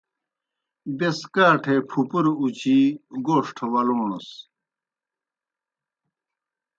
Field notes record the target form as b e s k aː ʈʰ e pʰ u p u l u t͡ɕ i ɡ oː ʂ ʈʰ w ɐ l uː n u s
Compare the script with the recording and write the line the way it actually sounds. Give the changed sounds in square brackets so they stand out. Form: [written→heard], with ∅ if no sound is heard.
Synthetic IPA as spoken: b e s k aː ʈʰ e pʰ u p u [l→ɾ] u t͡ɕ i ɡ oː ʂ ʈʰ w ɐ l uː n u s